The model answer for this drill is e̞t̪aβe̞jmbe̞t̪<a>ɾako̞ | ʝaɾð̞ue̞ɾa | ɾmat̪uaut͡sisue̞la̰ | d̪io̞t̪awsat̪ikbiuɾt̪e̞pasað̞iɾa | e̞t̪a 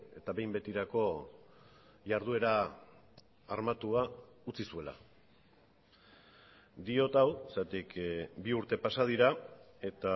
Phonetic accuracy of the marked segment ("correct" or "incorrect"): incorrect